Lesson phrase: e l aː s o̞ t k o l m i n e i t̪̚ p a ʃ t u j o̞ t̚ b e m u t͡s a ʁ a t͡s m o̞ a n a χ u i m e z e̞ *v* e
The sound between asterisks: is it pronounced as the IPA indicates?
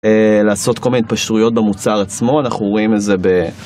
no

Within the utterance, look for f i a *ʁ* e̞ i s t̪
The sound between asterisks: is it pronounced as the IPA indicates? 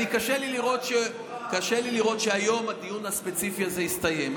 no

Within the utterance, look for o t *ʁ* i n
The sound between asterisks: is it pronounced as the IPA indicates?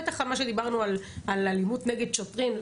yes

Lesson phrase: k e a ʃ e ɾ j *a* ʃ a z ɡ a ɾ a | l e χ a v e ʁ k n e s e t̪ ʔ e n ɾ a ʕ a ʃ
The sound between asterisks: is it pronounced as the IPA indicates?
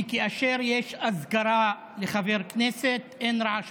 no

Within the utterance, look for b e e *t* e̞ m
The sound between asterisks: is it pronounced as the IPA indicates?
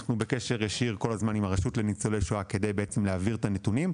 no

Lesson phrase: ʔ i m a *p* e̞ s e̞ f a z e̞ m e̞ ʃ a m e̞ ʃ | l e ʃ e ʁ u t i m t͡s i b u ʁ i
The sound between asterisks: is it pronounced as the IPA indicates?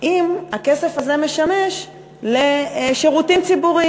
no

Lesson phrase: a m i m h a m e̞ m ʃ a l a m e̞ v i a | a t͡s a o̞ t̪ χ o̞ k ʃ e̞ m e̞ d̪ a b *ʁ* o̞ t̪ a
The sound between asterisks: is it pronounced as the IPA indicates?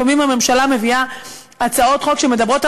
yes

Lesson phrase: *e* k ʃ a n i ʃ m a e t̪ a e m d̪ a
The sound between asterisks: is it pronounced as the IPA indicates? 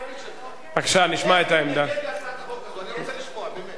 no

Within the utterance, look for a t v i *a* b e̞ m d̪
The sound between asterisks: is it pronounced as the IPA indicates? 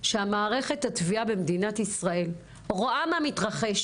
yes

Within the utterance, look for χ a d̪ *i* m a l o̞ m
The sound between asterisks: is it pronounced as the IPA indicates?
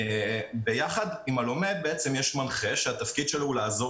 yes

